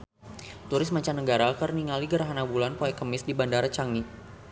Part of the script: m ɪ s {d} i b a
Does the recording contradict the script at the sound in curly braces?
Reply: no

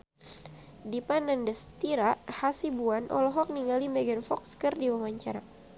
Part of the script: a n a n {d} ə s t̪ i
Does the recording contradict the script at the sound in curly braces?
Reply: no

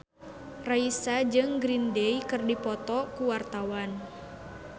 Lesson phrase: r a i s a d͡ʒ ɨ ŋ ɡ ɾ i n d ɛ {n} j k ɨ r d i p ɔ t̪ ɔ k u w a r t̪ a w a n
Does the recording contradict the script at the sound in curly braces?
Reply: yes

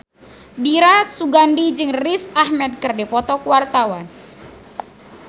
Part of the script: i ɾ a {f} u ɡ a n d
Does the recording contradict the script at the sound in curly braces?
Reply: yes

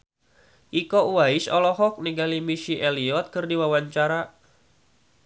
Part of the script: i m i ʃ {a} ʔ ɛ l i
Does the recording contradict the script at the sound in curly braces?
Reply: yes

